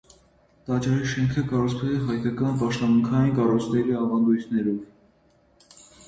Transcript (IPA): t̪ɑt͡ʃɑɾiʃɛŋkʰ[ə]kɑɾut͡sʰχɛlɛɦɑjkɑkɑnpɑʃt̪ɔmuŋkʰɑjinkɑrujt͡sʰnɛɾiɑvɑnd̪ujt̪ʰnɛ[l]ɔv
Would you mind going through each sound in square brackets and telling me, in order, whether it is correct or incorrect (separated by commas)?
correct, incorrect